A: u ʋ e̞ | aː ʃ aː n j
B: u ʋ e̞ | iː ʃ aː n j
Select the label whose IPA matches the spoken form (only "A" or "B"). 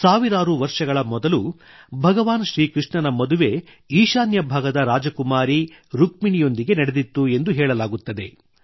B